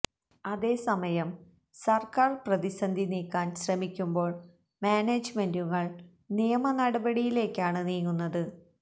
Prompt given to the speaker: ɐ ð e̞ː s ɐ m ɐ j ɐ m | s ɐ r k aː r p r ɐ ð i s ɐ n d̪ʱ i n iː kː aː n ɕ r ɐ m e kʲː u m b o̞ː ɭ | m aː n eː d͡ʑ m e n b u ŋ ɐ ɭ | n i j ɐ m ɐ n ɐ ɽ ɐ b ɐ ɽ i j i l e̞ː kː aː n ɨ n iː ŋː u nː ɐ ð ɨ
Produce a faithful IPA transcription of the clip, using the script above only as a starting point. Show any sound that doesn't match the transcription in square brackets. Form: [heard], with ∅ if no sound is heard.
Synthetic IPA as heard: ɐ ð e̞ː s ɐ m ɐ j ɐ m | s ɐ r k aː r p r ɐ ð i s ɐ n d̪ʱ i n iː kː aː n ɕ r ɐ m [i] kʲː u m b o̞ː ɭ | m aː n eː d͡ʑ m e n [d] u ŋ ɐ ɭ | n i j ɐ m ɐ n ɐ ɽ ɐ b ɐ ɽ i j i l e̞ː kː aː [ɳ] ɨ n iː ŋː u nː ɐ ð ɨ